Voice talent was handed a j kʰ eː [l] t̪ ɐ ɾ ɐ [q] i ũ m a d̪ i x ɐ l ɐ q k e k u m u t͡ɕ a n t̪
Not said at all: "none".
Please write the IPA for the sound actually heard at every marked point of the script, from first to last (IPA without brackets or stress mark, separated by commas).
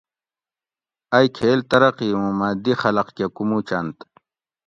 l, q